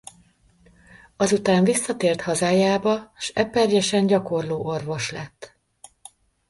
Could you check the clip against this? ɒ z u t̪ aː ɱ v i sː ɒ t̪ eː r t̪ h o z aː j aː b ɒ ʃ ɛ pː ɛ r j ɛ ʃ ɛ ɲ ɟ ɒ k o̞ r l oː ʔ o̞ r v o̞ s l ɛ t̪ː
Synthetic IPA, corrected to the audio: ɒ z u t̪ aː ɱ v i sː ɒ t̪ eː r t̪ h ɒ z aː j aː b ɒ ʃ ɛ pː ɛ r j ɛ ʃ ɛ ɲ ɟ ɒ k o̞ r l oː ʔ o̞ r v o̞ ʃ l ɛ t̪ː